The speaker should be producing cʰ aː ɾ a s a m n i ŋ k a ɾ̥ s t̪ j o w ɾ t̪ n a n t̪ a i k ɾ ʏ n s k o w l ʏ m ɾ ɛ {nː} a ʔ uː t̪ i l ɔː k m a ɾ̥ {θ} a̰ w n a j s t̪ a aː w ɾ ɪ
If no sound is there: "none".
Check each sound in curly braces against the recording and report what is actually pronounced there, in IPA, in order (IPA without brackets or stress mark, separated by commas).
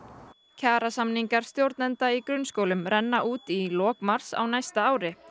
nː, s